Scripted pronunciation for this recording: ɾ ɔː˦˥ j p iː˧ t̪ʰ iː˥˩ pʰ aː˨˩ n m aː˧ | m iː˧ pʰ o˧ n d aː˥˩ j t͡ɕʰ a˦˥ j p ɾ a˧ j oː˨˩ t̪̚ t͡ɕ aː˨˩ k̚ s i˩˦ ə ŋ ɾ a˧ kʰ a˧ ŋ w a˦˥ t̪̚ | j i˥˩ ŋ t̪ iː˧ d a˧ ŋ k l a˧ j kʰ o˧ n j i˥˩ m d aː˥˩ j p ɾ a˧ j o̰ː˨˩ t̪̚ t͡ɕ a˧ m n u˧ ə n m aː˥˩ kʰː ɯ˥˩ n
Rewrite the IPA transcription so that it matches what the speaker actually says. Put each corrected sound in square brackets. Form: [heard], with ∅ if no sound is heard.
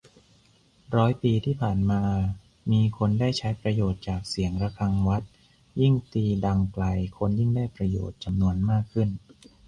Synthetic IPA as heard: ɾ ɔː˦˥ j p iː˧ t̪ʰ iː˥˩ pʰ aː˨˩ n m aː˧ | m iː˧ [kʰ] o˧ n d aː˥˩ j t͡ɕʰ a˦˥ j p ɾ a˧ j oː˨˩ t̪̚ t͡ɕ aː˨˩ k̚ s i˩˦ ə ŋ ɾ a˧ kʰ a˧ ŋ w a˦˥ t̪̚ | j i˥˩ ŋ t̪ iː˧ d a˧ ŋ k l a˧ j kʰ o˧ n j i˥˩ [ŋ] d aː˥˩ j p ɾ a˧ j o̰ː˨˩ t̪̚ t͡ɕ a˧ m n u˧ ə n m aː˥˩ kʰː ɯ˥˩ n